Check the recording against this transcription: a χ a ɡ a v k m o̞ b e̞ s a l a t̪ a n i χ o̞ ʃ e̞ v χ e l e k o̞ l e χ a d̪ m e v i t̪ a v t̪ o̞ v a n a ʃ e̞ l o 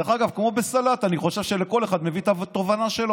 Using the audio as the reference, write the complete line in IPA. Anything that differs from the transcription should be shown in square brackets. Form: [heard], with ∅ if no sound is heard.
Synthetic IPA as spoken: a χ a ɡ a v k m o̞ b e̞ s a l a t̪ a n i χ o̞ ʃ e̞ v [ʃ] e l e k o̞ l e χ a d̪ m e v i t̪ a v t̪ o̞ v a n a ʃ e̞ l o